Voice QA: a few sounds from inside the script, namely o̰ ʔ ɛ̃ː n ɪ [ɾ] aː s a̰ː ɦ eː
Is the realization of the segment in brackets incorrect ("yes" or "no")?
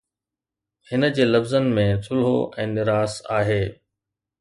no